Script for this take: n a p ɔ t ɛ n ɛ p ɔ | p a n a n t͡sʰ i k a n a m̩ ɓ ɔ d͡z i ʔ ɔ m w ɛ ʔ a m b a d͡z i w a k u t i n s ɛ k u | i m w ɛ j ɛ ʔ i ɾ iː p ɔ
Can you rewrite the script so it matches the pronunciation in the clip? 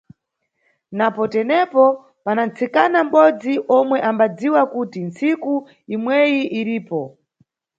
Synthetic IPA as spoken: n a p ɔ t ɛ n ɛ p ɔ | p a n a n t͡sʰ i k a n a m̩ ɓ ɔ d͡z i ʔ ɔ m w ɛ ʔ a m b a d͡z i w a k u t i n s i k u | i m w ɛ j i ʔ i ɾ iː p ɔ